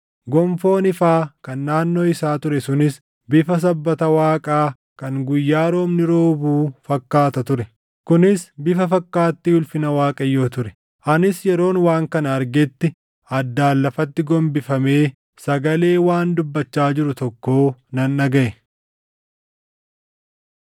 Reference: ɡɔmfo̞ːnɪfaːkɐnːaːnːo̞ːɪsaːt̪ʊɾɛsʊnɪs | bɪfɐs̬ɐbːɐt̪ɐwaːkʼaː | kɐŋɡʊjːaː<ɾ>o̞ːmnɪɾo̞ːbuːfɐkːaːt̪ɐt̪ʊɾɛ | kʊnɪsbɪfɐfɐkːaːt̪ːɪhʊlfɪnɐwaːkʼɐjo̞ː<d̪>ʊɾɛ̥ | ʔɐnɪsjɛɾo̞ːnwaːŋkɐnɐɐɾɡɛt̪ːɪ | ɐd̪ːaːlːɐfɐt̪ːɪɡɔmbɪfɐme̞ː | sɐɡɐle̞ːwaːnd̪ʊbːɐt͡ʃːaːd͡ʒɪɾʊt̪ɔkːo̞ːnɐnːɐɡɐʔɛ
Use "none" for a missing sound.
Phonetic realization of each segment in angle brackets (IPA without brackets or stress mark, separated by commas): ɾ, t̪